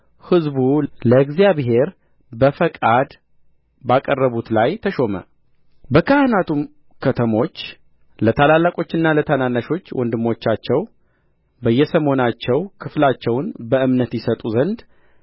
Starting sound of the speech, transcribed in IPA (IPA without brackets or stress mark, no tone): h